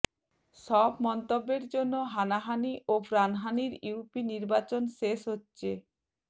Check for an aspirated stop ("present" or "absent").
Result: absent